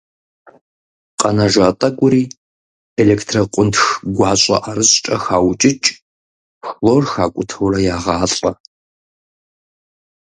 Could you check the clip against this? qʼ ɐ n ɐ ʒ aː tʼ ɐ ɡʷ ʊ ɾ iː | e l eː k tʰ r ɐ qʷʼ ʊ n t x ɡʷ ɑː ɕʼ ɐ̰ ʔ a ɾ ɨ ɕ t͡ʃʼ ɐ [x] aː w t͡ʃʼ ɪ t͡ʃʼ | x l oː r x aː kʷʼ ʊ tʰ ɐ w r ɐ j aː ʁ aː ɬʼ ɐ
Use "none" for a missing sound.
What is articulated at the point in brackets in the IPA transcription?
x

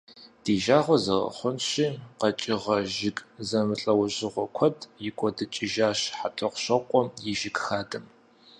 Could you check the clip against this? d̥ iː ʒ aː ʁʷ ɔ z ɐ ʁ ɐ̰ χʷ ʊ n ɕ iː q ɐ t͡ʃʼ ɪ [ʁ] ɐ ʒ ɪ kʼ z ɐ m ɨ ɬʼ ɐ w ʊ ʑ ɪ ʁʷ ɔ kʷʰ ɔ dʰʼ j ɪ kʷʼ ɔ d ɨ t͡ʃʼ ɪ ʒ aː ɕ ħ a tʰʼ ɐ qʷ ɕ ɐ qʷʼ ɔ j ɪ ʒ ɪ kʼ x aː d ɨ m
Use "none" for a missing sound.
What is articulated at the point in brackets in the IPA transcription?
ʁ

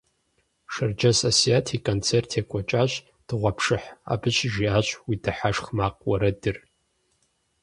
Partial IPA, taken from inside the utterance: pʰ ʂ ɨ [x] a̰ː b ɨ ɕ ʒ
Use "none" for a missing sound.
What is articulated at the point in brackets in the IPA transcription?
ħ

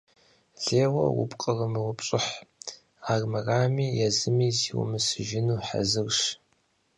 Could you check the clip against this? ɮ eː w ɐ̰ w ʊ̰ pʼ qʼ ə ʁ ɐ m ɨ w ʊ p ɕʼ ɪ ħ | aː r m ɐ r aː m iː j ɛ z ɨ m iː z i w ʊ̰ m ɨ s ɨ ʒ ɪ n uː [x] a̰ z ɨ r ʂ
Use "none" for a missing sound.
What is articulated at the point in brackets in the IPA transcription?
ħ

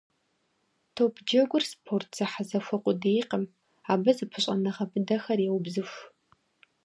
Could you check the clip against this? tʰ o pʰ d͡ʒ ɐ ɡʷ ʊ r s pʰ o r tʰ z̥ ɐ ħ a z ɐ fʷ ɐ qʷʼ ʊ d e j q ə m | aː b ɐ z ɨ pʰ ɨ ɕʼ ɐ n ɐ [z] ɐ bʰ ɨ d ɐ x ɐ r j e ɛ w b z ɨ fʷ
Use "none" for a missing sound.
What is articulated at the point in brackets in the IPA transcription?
ʁ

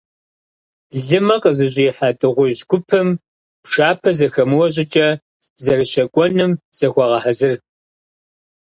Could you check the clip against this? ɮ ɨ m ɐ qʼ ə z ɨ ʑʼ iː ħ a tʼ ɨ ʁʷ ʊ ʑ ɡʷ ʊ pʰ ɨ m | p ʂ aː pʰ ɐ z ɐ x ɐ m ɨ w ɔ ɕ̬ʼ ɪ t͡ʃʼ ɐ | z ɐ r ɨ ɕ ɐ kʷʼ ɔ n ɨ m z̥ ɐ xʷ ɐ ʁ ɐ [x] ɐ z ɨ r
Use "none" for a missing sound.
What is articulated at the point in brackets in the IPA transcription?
ħ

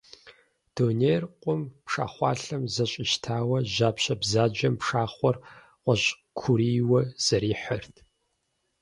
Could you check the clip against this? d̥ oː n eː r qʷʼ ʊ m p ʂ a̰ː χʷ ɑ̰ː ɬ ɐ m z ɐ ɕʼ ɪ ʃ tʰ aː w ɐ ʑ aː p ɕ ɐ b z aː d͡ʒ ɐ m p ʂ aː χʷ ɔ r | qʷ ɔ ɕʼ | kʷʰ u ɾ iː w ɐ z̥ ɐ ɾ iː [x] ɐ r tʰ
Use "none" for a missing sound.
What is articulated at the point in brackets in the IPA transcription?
ħ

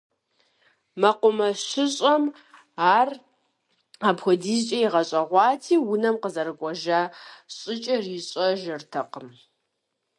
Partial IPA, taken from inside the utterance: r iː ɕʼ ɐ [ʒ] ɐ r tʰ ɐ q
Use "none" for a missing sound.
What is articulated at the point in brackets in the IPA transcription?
ʒ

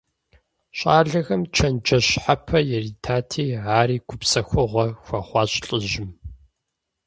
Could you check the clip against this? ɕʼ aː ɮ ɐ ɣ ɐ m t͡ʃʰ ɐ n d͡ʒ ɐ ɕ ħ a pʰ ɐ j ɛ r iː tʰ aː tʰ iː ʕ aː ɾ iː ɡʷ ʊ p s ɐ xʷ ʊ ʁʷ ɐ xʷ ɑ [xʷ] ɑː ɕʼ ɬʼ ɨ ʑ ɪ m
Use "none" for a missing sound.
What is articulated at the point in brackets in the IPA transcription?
χʷ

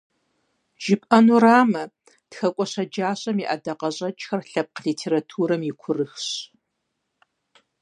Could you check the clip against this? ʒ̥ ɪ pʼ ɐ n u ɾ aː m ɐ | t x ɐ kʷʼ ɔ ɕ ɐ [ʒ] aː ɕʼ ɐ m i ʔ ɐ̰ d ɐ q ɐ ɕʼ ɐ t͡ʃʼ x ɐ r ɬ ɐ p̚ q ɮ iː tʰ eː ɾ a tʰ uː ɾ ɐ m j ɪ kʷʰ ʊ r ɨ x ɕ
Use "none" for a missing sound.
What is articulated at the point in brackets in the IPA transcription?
d͡ʒ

